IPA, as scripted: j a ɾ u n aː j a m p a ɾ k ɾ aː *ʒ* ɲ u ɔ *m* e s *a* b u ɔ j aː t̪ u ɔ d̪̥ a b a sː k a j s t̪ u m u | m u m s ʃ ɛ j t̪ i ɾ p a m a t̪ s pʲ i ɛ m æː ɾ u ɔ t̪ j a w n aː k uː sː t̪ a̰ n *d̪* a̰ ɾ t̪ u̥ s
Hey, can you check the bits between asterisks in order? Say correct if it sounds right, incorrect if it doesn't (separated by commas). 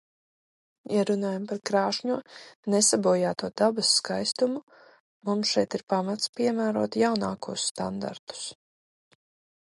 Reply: incorrect, incorrect, correct, correct